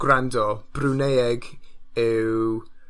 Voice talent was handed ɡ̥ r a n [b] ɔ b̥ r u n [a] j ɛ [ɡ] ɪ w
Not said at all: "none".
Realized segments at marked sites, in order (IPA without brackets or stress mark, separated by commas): d, e, ɡ